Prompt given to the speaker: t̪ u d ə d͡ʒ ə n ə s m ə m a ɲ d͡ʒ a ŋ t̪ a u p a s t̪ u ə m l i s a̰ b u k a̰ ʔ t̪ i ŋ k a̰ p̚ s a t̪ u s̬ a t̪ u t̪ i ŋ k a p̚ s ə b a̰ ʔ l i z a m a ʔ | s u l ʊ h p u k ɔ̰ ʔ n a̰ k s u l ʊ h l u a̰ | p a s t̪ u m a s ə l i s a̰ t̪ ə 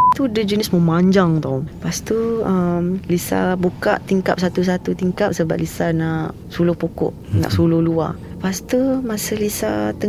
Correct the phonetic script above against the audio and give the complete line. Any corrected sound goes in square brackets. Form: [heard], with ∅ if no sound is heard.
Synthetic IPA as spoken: t̪ u d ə d͡ʒ ə n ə s m ə m a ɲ d͡ʒ a ŋ t̪ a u p a s t̪ u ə m l i s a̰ b u k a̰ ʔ t̪ i ŋ k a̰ p̚ s a t̪ u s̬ a t̪ u t̪ i ŋ k a p̚ s ə b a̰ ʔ l i [s] a [n] a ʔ | s u l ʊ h p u k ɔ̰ ʔ n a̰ [ʔ] s u l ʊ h l u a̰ | p a s t̪ u m a s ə l i s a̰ t̪ ə